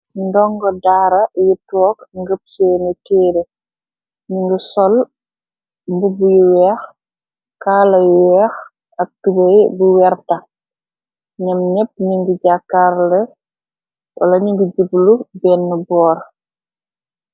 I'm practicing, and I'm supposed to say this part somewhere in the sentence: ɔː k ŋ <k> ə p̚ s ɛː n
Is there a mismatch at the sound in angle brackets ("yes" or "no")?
yes